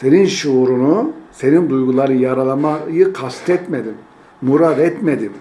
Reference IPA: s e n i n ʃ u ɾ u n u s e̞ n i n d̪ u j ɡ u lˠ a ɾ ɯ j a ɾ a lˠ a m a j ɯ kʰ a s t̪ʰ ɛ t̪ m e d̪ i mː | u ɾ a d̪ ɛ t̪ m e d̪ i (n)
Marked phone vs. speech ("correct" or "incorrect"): incorrect